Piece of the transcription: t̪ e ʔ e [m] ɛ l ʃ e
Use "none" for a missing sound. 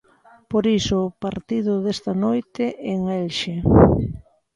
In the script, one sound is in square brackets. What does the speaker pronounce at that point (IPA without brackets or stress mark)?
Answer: ŋ